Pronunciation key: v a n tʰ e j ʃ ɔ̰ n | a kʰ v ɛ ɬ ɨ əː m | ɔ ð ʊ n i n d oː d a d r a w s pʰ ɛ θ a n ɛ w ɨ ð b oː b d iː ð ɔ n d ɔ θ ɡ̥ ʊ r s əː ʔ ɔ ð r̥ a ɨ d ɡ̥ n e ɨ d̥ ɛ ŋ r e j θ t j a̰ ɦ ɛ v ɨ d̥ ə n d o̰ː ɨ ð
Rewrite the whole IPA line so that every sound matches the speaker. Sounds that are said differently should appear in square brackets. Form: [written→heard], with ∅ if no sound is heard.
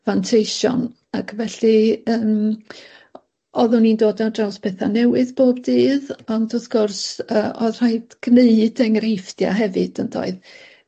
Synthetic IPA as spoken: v a n tʰ e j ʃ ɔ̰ n | a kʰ v ɛ ɬ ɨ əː m | ɔ ð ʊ n i n d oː d a d r a w s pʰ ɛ θ a n ɛ w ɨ ð b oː b d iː ð ɔ n d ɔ θ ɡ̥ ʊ r s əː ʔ ɔ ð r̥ a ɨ d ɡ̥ n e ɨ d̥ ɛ ŋ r e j [θ→f] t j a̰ ɦ ɛ v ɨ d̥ ə n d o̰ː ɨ ð